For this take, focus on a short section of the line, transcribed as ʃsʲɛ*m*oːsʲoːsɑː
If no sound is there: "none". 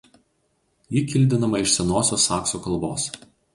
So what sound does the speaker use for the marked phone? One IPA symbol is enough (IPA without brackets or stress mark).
n